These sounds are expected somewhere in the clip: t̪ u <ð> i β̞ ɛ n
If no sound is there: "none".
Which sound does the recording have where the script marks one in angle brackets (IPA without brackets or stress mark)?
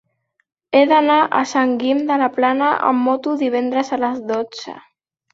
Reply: ð